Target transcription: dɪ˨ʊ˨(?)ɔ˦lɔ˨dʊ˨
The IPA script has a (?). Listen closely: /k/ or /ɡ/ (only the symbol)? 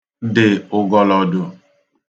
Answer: ɡ